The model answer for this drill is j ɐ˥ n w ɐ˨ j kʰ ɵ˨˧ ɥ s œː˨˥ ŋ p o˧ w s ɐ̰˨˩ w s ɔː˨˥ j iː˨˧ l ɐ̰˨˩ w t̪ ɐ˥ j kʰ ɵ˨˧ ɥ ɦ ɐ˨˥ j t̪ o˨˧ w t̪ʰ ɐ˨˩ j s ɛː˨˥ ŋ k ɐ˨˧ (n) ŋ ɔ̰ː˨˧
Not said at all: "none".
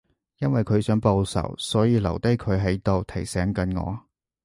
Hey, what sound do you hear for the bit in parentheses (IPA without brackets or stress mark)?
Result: n